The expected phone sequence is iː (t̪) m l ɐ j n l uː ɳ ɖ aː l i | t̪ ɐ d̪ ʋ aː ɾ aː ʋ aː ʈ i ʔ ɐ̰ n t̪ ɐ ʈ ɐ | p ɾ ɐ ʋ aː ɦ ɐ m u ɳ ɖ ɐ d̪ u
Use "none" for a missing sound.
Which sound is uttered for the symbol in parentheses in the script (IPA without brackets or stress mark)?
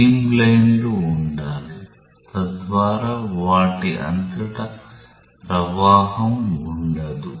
none